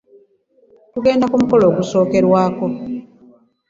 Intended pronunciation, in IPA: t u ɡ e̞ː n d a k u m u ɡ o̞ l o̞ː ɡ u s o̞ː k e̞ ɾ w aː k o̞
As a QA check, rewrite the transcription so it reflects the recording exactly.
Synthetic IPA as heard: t u ɡ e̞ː n d a k u m u k o̞ l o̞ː ɡ u s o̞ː k e̞ ɾ w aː k o̞